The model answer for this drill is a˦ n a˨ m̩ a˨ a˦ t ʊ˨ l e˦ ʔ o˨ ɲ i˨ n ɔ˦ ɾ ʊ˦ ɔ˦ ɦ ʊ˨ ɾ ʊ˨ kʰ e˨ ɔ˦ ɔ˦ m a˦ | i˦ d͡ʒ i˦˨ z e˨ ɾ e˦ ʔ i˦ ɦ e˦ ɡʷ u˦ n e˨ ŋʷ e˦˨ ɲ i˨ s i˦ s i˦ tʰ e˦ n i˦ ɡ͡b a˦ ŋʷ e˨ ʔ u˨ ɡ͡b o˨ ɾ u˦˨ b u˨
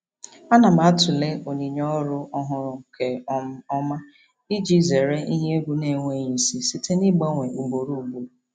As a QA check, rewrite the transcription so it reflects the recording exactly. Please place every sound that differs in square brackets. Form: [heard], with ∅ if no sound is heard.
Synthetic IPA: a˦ n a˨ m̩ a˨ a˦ t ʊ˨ l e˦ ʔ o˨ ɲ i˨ [ɲ] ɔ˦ ɾ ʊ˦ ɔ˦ ɦ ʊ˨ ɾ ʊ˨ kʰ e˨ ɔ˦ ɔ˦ m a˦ | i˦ d͡ʒ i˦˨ z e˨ ɾ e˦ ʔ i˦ ɦ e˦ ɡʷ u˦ n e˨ ŋʷ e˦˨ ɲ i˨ s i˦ s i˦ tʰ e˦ n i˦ ɡ͡b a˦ ŋʷ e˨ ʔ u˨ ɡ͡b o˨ ɾ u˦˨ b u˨